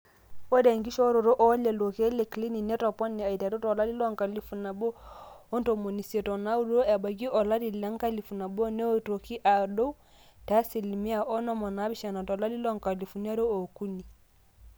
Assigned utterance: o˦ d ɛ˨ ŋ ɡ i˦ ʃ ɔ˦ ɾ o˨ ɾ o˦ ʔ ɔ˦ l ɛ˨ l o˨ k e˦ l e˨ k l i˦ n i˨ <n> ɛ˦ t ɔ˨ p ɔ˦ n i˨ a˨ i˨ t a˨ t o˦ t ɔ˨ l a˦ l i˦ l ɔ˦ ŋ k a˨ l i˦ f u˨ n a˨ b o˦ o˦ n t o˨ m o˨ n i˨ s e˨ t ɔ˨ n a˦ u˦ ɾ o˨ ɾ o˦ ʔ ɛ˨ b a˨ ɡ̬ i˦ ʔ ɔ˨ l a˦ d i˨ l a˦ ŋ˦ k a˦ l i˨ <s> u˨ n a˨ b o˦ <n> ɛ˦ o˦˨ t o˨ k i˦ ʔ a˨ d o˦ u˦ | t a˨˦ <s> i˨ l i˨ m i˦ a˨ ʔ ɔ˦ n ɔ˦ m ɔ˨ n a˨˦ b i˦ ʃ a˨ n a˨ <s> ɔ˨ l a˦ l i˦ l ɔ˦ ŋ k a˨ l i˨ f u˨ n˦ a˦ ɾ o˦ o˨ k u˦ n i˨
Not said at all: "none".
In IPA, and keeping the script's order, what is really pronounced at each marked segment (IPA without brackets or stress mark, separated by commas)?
n, f, n, s, t